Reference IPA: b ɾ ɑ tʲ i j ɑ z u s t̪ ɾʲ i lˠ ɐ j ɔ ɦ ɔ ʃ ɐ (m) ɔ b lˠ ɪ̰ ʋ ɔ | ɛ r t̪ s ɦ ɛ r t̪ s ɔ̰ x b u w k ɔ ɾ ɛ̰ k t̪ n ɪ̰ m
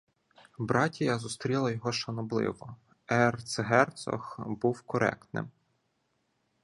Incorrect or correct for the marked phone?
incorrect: n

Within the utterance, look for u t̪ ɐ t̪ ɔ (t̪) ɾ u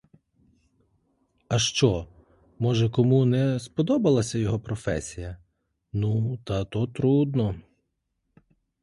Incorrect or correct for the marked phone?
correct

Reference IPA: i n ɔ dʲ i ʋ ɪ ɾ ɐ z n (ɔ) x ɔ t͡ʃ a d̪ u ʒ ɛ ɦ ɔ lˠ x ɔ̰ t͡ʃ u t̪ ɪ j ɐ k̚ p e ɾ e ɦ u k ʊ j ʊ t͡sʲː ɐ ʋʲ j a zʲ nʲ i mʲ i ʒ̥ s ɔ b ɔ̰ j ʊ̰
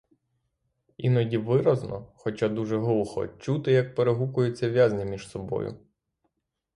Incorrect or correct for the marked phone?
correct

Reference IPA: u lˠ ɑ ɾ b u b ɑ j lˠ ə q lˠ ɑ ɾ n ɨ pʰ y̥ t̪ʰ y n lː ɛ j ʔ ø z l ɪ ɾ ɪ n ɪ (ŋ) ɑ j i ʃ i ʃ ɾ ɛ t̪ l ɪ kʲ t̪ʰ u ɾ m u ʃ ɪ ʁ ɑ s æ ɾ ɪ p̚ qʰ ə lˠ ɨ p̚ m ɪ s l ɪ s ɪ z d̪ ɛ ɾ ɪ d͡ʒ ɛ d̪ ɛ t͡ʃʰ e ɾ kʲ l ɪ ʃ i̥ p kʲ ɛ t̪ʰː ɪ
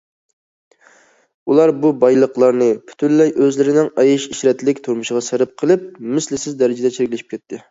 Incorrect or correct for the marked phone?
correct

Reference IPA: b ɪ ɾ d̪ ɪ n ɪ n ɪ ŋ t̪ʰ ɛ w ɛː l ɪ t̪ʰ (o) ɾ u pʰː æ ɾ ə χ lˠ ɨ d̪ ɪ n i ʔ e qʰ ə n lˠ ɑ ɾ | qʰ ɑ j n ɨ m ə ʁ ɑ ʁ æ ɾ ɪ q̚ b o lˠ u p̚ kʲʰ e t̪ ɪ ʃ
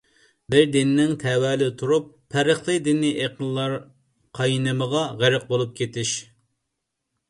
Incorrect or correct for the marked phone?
incorrect: u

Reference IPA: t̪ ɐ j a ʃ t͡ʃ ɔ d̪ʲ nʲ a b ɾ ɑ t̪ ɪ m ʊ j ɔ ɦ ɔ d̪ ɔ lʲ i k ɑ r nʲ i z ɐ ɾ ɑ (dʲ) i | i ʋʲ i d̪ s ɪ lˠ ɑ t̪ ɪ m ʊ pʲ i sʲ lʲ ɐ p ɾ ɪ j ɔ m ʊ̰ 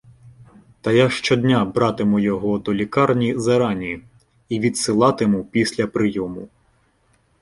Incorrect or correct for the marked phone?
incorrect: nʲ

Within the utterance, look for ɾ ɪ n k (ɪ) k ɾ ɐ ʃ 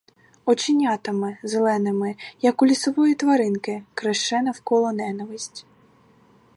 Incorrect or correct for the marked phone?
correct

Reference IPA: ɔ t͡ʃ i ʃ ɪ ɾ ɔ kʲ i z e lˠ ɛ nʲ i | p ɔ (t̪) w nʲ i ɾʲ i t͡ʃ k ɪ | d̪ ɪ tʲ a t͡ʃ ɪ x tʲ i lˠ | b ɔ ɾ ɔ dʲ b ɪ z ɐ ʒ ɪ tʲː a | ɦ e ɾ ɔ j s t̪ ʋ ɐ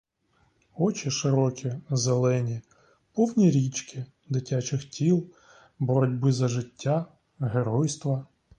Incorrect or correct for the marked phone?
incorrect: none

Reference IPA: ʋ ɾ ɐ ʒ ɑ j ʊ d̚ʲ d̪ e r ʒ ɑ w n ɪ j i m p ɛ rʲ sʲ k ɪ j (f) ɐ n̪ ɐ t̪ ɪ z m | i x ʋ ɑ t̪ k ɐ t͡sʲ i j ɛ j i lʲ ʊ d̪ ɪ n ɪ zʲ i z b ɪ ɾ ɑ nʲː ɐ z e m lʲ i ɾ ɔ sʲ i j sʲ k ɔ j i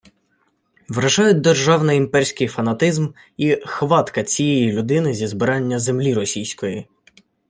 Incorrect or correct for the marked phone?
correct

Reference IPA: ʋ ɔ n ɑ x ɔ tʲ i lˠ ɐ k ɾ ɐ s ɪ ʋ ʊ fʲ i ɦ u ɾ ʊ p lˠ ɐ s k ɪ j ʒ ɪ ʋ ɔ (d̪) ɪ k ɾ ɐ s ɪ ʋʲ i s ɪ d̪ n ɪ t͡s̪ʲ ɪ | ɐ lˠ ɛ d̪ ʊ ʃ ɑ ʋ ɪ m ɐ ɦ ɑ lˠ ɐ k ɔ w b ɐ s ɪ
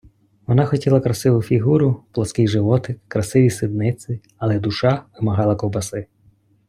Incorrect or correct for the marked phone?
incorrect: t̪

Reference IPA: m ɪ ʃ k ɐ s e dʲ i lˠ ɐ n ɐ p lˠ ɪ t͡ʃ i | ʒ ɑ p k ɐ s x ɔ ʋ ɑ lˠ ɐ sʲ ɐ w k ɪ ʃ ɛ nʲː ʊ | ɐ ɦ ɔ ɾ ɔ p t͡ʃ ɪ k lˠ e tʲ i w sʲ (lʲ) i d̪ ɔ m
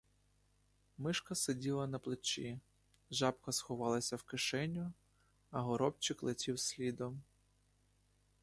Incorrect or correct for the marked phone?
correct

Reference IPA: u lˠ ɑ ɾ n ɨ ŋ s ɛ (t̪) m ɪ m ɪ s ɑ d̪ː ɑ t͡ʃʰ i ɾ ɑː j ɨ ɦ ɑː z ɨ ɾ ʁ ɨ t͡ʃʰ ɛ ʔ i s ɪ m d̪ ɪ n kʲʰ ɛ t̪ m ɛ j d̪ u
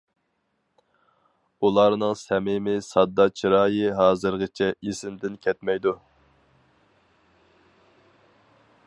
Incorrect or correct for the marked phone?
incorrect: none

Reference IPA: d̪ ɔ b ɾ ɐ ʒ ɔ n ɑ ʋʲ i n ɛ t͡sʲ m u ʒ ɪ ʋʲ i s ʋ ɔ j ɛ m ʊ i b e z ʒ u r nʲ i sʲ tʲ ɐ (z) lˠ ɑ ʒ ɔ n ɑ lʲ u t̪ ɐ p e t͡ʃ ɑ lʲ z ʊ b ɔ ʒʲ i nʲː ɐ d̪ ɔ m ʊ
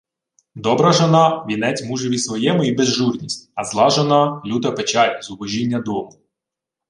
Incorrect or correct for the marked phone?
correct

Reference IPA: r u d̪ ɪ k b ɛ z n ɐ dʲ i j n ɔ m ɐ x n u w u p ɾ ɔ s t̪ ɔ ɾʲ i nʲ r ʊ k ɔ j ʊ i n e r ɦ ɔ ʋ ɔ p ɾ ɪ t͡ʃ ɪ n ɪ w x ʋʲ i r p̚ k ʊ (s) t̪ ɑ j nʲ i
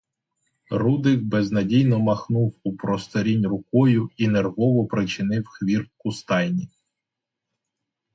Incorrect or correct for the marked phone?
correct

